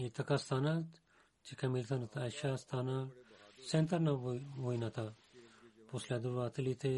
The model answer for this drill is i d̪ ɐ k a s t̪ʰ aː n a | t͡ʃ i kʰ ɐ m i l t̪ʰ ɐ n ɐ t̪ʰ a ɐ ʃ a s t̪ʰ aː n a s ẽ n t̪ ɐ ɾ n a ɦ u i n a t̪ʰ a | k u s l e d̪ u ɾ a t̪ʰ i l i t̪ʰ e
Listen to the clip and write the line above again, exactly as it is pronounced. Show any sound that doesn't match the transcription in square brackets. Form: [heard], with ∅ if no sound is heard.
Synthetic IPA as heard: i [t̪] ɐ k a s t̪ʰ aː n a | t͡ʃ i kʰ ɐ m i l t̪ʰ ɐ n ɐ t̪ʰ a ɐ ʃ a s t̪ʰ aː n a s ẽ n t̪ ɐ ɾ n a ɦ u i n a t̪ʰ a | [p] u s l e d̪ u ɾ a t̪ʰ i l i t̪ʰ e